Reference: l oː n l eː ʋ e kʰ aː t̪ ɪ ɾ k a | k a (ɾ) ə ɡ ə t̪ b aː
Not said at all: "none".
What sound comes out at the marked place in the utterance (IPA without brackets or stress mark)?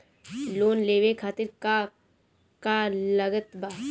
l